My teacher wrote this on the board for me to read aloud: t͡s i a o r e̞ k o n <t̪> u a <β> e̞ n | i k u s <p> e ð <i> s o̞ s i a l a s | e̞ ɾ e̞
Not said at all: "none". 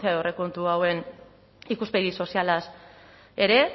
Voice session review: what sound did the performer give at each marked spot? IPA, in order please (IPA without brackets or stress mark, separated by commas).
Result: t̪, w, p, i